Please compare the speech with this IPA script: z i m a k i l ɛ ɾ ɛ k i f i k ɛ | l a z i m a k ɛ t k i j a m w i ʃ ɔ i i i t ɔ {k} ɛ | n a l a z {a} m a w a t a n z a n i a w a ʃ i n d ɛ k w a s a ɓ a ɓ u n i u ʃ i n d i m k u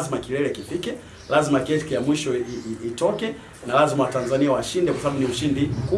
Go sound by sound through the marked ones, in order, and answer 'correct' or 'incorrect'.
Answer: correct, incorrect: i

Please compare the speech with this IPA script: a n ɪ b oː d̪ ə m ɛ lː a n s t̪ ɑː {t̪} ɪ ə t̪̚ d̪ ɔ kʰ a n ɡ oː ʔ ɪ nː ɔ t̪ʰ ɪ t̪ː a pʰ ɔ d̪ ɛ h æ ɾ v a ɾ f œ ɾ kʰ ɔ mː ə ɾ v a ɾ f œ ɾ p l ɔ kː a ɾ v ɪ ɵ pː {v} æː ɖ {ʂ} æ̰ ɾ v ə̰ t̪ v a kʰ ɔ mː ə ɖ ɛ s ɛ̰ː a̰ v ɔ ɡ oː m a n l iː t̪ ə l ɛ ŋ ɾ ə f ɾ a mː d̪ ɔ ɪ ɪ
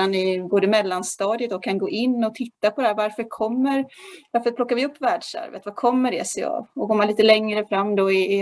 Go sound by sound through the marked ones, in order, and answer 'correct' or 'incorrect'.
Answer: incorrect: d̪, correct, correct

